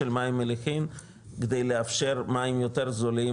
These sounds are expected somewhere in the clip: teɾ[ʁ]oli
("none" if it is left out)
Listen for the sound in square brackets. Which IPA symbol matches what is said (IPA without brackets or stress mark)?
z